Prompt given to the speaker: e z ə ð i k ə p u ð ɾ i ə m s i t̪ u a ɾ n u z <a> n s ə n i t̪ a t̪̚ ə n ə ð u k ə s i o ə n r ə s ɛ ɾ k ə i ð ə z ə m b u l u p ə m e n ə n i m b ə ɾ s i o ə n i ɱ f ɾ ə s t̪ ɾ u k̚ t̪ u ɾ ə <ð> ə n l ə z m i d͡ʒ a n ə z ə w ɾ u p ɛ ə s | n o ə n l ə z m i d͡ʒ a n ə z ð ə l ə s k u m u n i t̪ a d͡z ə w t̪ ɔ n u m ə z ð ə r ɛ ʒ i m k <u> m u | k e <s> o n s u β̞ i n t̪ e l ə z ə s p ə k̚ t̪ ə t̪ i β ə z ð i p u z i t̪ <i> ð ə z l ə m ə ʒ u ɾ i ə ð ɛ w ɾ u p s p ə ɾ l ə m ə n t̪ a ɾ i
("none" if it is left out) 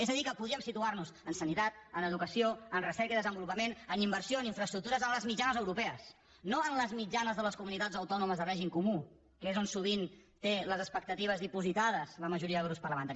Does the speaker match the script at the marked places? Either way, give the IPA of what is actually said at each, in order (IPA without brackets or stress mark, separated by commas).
ə, z, u, z, a